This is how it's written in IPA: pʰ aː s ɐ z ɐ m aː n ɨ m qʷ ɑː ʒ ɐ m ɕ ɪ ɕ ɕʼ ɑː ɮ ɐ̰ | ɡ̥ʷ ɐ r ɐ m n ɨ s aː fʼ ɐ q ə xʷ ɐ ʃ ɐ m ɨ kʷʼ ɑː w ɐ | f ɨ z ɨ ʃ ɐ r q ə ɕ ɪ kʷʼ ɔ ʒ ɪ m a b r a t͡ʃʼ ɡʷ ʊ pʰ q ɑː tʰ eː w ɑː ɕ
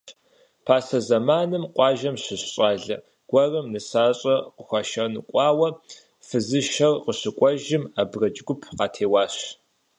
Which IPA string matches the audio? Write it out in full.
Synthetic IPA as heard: pʰ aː s ɐ z ɐ m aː n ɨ m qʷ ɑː ʒ ɐ m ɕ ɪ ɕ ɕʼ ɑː ɮ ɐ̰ | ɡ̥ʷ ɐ r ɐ m n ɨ s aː ɕʼ ɐ q ə xʷ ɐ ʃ ɐ n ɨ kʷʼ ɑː w ɐ | f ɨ z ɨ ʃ ɐ r q ə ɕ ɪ kʷʼ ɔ ʒ ɪ m a b r ɐ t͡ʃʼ ɡʷ ʊ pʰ q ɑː tʰ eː w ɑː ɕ